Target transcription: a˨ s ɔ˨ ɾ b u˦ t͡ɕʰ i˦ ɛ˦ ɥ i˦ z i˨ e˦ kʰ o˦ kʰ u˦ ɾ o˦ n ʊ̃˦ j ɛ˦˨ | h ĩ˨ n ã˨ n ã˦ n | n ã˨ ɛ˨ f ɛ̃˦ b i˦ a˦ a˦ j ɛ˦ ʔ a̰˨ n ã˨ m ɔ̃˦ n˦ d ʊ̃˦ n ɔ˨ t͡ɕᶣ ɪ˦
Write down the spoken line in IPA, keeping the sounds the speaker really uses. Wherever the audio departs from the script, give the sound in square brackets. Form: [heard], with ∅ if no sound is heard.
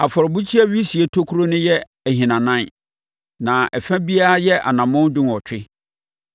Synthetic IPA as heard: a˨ [f] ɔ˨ ɾ b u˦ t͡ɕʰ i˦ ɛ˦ ɥ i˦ [s] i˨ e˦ [tʰ] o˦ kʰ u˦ ɾ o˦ n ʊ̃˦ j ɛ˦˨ | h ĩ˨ n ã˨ n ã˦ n | n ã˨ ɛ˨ f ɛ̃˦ b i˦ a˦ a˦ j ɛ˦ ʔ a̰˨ n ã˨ m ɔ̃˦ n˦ d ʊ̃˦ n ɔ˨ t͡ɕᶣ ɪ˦